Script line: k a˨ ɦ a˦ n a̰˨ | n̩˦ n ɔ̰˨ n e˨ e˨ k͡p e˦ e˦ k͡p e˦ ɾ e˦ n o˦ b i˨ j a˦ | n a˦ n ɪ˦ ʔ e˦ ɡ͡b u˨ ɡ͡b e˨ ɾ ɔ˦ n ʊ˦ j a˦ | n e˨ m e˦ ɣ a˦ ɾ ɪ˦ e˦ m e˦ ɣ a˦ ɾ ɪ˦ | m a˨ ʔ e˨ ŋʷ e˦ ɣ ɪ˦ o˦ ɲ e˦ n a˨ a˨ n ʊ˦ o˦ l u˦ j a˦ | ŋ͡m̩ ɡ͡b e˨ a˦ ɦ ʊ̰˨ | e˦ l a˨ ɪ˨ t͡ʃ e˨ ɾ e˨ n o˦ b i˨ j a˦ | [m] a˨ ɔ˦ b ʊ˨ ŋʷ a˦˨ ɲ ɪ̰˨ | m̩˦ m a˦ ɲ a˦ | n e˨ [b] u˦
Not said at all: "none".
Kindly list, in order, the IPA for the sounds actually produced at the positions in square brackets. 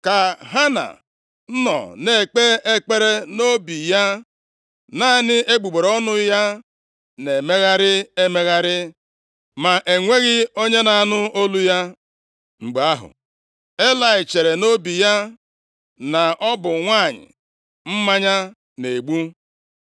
n, ɡ͡b

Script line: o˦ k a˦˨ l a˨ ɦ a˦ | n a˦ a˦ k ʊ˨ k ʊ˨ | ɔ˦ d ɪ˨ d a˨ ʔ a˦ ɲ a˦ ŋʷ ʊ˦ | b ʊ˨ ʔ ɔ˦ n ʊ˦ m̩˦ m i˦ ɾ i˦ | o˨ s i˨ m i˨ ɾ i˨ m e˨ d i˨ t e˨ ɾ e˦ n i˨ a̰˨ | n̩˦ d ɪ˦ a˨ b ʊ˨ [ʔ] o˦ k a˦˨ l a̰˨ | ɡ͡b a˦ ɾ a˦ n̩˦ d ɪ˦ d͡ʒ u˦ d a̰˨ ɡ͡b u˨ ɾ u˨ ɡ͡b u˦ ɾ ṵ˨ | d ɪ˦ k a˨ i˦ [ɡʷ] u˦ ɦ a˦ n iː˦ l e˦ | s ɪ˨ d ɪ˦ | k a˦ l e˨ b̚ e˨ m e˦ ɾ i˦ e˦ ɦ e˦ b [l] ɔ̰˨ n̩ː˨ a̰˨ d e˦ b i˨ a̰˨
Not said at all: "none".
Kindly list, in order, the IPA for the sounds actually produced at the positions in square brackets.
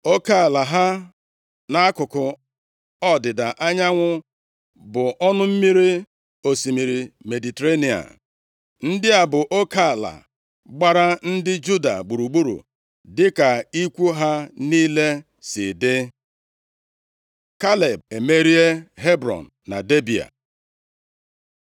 ʔ, kʷ, ɾ

